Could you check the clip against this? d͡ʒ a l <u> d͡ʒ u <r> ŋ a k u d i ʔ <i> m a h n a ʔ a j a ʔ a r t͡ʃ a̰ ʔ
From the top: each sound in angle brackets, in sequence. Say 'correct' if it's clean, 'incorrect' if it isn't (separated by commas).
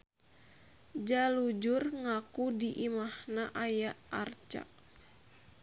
correct, correct, correct